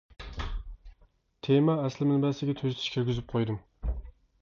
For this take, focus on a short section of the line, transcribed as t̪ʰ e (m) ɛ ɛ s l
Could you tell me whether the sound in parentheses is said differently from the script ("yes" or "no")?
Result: no